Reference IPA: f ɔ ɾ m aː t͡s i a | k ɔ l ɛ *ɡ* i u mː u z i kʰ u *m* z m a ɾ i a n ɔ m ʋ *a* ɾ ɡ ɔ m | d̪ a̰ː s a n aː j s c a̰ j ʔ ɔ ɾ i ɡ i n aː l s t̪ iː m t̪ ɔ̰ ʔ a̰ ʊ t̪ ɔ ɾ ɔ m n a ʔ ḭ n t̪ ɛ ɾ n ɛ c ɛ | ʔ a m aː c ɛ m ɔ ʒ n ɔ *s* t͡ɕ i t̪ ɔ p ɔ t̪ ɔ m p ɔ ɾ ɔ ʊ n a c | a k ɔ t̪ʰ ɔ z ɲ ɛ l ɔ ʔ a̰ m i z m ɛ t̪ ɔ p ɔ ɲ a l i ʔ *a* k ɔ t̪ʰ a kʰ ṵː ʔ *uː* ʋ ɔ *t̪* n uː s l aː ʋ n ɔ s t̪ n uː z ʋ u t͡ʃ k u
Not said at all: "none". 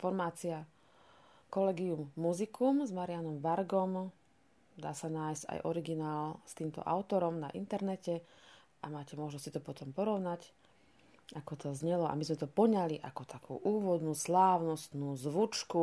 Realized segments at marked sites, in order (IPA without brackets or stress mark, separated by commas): ɡ, m, a, s, a, uː, d̪